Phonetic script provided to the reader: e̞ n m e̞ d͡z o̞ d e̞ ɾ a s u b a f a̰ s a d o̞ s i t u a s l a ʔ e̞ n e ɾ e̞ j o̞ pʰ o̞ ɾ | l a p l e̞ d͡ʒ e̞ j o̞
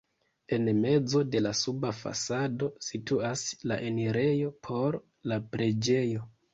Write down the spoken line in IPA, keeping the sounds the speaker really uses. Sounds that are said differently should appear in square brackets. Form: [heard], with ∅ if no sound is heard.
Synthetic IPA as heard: e̞ n m e̞ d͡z o̞ d e̞ [l] a s u b a f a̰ s a d o̞ s i t u a s l a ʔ e̞ n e ɾ e̞ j o̞ pʰ o̞ ɾ | l a p [ɾ] e̞ d͡ʒ e̞ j o̞